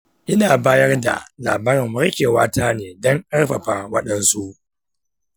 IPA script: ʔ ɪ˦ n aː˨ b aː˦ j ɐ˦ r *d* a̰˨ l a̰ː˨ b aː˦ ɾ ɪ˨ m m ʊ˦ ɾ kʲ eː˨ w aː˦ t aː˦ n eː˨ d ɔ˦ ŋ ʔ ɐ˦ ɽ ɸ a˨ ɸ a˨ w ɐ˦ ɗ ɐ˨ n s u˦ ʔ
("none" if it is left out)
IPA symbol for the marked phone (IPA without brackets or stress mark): d